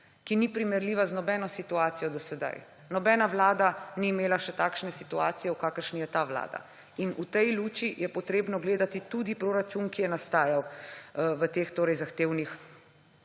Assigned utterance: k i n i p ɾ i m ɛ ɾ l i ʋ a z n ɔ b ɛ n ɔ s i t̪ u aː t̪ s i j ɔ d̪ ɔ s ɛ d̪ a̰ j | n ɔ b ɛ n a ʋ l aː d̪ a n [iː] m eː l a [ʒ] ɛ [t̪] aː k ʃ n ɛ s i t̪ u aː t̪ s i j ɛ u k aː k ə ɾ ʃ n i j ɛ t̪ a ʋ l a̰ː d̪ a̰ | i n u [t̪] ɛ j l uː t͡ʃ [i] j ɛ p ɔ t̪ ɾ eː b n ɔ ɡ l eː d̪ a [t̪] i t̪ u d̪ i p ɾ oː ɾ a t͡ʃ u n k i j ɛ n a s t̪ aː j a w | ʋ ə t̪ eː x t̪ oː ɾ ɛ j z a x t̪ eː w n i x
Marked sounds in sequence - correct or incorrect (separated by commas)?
correct, incorrect, correct, correct, correct, correct